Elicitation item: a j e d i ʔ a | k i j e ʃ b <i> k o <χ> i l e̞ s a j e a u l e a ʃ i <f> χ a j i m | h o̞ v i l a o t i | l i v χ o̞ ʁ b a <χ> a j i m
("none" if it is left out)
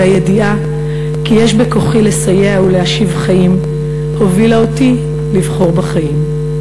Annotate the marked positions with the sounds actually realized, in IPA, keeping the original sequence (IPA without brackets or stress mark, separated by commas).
e, χ, v, χ